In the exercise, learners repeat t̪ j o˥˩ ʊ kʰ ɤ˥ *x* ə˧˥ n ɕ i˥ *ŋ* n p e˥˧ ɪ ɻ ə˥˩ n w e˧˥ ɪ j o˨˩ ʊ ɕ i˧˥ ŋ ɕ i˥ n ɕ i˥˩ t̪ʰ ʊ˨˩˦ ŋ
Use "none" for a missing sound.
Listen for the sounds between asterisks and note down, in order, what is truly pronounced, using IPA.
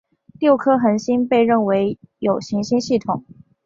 x, none

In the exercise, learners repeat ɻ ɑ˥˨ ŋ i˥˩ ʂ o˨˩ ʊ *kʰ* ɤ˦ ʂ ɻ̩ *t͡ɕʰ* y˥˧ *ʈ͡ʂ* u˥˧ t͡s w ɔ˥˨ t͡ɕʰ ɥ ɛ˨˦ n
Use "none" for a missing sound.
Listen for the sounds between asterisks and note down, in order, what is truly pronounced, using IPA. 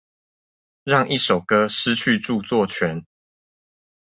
k, t͡ɕʰ, ʈ͡ʂ

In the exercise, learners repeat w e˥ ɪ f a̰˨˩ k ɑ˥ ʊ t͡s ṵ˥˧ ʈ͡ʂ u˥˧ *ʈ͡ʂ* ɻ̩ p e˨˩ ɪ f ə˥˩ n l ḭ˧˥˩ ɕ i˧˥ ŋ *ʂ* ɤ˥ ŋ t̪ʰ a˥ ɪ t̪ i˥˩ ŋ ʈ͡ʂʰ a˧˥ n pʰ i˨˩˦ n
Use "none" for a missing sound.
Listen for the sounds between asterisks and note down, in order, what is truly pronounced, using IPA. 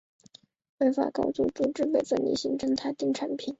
ʈ͡ʂ, ʈ͡ʂ

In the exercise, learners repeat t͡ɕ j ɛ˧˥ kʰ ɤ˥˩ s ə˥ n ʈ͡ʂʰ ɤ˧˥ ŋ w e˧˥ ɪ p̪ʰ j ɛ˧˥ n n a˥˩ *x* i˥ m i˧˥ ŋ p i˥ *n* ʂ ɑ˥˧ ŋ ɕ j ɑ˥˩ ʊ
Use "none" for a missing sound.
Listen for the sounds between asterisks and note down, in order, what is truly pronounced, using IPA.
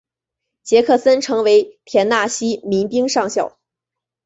ɕ, ŋ

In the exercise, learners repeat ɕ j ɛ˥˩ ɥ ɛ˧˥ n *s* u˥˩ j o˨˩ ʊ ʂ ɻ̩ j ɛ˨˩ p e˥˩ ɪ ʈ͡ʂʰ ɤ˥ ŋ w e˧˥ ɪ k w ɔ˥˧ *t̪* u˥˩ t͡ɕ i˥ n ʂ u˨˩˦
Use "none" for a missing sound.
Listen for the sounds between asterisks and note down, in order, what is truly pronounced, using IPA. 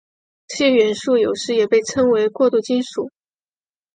ʂ, t̪

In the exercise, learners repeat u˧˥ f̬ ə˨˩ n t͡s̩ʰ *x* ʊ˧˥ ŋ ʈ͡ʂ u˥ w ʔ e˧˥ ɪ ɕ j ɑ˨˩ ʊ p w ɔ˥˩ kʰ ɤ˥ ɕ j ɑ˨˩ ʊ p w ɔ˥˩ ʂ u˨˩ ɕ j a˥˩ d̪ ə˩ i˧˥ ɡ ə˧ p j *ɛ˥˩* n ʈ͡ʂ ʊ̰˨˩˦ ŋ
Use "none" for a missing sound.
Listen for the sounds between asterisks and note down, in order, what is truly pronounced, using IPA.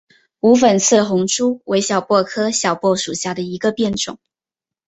x, ɛ˥˩

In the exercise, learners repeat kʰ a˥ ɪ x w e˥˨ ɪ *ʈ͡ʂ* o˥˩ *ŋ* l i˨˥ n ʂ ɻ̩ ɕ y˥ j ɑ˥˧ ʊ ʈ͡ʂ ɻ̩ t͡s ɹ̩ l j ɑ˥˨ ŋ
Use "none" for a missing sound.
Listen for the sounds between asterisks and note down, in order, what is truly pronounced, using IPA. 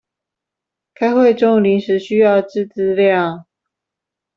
ʈ͡ʂ, ŋ

